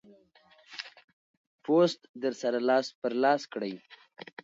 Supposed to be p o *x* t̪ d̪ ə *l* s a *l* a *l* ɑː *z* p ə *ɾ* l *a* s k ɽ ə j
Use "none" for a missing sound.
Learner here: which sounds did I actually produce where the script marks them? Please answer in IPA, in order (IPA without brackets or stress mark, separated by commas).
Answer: s, ɾ, ɾ, l, s, ɾ, ɑ